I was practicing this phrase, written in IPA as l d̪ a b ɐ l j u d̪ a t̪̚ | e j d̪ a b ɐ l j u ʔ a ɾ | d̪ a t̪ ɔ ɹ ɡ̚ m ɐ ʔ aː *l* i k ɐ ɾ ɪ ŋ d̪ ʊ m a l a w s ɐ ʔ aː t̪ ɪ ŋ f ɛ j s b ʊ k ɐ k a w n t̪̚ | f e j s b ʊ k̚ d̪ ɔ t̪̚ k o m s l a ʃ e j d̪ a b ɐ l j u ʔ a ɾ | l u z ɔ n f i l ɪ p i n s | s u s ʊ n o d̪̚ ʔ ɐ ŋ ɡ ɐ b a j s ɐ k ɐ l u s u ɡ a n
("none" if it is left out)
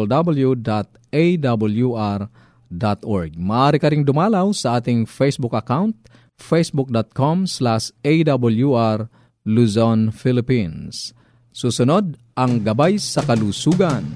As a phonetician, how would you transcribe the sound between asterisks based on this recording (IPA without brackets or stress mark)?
ɾ